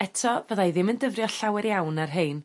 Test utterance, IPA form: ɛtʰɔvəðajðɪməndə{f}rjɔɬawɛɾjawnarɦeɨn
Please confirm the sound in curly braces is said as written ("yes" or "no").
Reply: no